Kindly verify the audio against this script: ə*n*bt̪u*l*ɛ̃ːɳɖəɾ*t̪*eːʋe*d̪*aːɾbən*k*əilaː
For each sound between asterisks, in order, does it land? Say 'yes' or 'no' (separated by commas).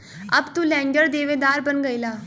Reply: no, yes, no, yes, no